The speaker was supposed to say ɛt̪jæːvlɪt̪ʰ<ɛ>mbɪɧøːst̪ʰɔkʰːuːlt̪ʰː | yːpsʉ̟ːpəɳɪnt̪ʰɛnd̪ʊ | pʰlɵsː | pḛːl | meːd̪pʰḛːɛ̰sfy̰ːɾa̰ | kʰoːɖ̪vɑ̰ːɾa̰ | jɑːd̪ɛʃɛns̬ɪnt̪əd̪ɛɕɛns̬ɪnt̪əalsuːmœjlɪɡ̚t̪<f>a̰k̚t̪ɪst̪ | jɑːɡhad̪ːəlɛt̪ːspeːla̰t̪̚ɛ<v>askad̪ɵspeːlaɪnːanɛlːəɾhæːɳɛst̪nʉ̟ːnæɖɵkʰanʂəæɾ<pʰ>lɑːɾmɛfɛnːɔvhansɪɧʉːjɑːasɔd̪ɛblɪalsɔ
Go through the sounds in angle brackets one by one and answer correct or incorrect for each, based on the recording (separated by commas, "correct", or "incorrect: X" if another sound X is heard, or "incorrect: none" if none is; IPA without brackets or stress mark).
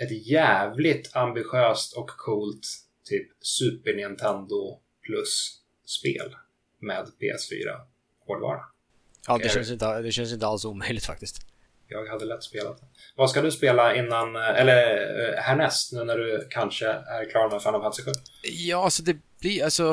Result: incorrect: a, correct, correct, incorrect: kʰ